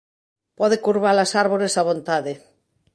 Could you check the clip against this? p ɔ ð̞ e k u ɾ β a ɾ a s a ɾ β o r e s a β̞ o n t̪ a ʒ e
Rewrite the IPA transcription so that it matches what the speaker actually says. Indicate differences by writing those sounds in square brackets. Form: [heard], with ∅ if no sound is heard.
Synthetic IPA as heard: p ɔ ð̞ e k u ɾ β a [l] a s a ɾ β o [ɾ] e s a β̞ o n t̪ a [ð] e